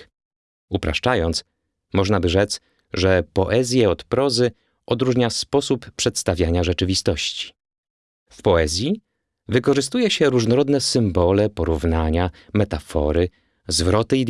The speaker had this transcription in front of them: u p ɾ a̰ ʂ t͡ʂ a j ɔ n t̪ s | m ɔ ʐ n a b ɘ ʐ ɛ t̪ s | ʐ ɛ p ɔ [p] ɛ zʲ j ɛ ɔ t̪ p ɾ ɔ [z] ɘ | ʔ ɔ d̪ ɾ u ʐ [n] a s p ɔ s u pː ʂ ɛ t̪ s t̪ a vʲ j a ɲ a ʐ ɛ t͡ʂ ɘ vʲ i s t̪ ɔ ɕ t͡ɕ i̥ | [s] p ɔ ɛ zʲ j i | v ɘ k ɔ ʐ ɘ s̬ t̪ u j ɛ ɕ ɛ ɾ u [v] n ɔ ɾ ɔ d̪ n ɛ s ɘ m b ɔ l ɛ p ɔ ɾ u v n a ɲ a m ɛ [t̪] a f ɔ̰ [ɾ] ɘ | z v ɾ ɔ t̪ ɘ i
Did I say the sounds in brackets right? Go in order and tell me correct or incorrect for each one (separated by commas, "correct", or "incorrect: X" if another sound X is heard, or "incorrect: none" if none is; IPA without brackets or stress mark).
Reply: incorrect: ʔ, correct, incorrect: ɲ, incorrect: f, incorrect: ʐ, correct, correct